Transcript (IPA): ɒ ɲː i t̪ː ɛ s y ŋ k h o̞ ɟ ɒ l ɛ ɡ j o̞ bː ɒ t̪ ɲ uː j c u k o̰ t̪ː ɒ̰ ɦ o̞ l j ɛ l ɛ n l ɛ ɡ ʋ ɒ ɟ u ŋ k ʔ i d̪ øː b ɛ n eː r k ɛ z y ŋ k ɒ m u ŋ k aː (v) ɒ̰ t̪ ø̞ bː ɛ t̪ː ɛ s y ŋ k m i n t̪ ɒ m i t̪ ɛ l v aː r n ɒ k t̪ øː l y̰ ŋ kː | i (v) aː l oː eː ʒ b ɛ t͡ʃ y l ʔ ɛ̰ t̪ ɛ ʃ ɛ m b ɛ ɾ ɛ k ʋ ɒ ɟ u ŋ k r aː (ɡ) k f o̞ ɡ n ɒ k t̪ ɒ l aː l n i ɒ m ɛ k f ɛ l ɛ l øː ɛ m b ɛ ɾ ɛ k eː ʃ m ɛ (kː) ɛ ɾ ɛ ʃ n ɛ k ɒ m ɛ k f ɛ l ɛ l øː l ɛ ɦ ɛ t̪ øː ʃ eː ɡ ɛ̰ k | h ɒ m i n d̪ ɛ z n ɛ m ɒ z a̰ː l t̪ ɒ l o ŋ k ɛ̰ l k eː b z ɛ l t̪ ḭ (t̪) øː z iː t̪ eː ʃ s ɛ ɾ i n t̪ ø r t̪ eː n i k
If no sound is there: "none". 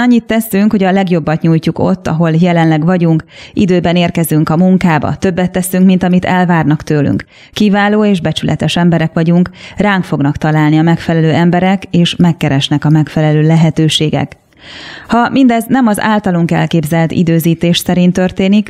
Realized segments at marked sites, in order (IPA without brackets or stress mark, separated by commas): b, v, ŋ, kː, d̪